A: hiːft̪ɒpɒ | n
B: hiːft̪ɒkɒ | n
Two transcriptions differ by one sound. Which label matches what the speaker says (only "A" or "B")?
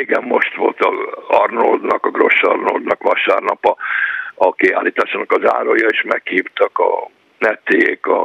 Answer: B